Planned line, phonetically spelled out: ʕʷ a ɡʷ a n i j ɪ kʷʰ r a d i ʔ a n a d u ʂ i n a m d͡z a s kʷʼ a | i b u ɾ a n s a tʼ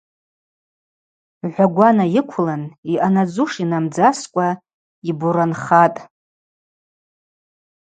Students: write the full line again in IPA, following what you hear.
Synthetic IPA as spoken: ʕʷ a ɡʷ a n a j ɪ kʷʰ l a n i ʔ a n a d͡z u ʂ i n a m d͡z a s kʷʼ a | i b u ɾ a n χ a tʼ